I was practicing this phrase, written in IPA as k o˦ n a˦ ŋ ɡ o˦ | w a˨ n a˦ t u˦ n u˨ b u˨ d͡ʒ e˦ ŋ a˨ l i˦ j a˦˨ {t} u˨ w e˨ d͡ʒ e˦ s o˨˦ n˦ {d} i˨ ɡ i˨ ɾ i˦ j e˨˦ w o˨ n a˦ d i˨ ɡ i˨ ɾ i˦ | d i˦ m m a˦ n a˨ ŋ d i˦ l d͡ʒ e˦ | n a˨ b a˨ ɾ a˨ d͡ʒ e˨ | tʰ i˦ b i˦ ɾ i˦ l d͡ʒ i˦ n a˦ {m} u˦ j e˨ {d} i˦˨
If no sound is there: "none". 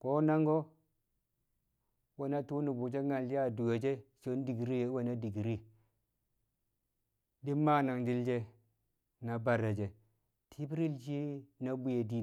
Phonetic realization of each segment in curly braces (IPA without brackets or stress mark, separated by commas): d, d, b, d